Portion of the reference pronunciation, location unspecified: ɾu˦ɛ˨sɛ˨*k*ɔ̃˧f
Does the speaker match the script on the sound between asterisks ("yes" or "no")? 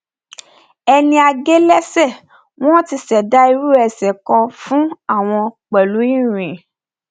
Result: yes